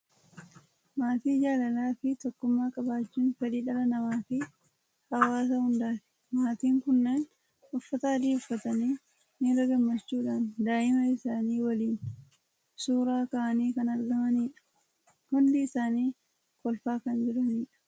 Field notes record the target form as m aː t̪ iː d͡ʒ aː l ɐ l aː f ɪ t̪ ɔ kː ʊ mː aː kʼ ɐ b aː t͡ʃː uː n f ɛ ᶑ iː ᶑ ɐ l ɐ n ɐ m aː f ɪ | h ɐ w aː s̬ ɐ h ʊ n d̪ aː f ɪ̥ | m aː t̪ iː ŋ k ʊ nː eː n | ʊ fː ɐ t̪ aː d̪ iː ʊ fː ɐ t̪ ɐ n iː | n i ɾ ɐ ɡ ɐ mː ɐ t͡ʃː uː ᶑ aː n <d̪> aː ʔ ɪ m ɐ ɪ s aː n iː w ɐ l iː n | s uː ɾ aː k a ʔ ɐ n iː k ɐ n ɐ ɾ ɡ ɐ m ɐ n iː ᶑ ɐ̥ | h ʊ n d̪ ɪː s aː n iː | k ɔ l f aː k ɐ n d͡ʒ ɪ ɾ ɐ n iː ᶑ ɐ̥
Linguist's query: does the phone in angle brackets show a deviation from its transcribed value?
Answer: no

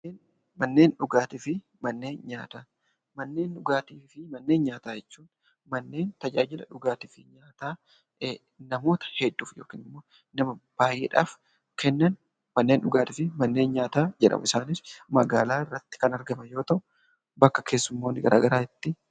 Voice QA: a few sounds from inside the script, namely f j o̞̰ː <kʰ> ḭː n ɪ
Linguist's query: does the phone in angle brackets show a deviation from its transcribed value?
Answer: yes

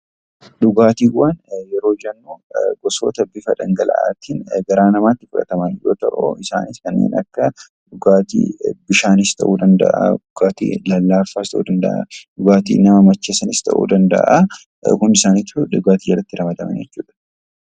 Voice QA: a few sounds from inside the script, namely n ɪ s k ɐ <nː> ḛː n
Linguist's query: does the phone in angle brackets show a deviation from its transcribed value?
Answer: no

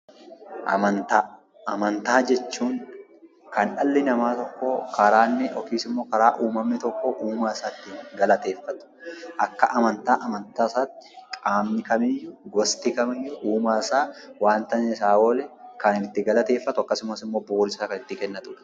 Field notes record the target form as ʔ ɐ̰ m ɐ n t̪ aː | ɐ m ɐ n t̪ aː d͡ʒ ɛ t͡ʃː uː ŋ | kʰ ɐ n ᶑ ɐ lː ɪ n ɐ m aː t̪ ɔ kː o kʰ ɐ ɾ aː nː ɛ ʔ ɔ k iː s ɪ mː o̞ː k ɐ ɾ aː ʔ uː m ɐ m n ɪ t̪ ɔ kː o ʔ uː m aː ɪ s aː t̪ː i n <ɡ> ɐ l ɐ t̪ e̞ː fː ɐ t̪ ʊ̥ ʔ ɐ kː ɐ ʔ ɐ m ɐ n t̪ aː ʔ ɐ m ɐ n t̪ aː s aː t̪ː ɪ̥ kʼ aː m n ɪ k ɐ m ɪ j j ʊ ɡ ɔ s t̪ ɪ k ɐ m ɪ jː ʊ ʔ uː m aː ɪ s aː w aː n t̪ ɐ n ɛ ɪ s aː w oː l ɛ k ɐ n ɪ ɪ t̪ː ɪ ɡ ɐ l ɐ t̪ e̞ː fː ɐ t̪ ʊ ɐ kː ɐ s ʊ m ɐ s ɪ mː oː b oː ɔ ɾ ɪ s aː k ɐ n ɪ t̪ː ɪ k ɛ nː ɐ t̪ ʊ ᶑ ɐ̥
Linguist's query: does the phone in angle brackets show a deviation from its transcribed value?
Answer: no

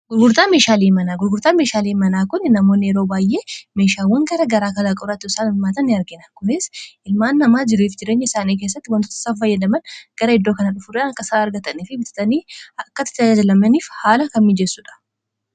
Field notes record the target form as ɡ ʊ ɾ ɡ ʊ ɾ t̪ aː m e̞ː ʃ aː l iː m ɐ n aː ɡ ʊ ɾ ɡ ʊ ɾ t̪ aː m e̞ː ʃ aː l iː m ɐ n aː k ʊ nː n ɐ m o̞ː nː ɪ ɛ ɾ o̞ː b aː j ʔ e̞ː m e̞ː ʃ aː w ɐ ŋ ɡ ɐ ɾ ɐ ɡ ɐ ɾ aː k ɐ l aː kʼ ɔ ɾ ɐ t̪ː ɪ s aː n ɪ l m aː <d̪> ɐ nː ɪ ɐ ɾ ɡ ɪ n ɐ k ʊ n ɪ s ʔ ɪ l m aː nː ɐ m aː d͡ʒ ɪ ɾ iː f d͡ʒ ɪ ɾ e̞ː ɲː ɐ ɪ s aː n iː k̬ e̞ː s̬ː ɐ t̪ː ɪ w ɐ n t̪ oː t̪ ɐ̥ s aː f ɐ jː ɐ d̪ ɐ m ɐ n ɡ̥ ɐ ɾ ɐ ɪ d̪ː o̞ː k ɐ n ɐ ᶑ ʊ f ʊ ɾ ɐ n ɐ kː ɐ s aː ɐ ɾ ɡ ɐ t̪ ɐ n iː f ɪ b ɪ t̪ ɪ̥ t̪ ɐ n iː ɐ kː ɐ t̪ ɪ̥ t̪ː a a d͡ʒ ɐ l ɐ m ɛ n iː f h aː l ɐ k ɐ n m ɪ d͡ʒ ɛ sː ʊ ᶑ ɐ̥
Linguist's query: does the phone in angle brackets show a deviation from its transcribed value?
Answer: yes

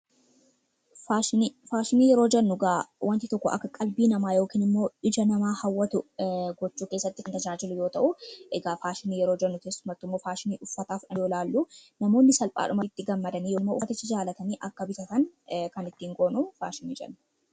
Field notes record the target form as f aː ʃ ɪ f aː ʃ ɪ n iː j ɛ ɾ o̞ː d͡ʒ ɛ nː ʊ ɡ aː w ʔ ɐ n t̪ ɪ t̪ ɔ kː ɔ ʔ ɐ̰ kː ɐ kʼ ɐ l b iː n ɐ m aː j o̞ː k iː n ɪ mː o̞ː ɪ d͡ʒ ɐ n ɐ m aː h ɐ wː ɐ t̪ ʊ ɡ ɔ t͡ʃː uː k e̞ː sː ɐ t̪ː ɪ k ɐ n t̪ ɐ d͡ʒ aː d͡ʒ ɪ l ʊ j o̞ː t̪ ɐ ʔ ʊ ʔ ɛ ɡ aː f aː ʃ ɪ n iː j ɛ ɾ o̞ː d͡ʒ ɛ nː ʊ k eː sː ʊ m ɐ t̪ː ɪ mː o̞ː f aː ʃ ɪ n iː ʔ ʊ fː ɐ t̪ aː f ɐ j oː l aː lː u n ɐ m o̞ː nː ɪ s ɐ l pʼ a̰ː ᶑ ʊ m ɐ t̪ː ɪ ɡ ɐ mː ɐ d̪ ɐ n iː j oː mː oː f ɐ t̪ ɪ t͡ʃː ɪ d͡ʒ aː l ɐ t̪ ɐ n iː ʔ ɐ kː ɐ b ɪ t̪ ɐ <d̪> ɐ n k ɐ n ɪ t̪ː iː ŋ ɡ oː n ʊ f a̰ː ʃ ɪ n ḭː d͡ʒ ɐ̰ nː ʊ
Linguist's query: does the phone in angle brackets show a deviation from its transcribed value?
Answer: yes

